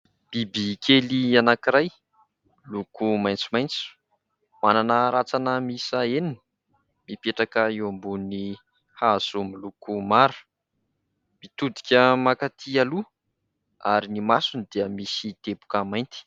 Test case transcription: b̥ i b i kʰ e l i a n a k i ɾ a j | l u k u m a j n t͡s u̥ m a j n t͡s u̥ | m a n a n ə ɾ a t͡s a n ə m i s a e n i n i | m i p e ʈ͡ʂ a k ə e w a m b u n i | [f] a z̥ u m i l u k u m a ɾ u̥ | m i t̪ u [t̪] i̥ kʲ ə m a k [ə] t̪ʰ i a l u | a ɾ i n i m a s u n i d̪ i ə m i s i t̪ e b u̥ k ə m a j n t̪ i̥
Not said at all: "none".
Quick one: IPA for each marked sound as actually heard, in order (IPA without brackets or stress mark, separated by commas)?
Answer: h, d̪, a